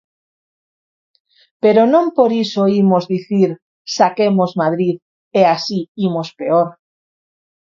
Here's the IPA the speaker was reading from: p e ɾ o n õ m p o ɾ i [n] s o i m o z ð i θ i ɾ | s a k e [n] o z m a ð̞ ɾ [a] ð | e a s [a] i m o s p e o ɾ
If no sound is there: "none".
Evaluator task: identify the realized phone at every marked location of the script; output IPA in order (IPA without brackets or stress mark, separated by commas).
none, m, i, i